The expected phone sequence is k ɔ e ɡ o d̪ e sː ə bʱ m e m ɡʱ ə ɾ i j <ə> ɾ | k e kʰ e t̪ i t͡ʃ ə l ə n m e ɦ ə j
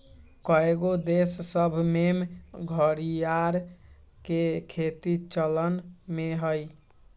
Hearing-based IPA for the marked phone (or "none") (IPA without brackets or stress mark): a